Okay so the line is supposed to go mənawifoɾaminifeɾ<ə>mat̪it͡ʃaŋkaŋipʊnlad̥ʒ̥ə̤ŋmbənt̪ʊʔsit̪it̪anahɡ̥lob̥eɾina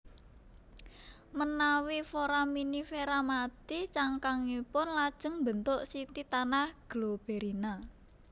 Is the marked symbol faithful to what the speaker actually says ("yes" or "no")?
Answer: no